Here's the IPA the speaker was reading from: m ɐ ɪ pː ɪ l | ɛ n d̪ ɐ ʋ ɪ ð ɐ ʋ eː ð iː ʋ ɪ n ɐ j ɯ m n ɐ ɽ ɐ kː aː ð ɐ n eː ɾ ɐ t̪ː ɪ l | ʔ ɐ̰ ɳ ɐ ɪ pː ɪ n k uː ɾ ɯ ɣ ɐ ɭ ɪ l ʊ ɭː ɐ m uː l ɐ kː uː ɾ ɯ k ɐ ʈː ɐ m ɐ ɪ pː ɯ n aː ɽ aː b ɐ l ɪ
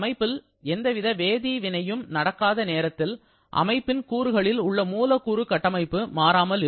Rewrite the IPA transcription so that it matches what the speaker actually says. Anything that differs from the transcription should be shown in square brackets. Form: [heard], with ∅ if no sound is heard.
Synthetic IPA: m ɐ ɪ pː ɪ l | ɛ n d̪ ɐ ʋ ɪ ð ɐ ʋ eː ð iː ʋ ɪ n ɐ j ɯ m n ɐ ɽ ɐ kː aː ð ɐ n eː ɾ ɐ t̪ː ɪ l | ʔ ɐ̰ [m] ɐ ɪ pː ɪ n k uː ɾ ɯ ɣ ɐ ɭ ɪ l ʊ ɭː ɐ m uː l ɐ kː uː ɾ ɯ k ɐ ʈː ɐ m ɐ ɪ pː ɯ [m] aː [ɾ] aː [m] ɐ l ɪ